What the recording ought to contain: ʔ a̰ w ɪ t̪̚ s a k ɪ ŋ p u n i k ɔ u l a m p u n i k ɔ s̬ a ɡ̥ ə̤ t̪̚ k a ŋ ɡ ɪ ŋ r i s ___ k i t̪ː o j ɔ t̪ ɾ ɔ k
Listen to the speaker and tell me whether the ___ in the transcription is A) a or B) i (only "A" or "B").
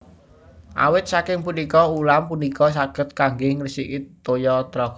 B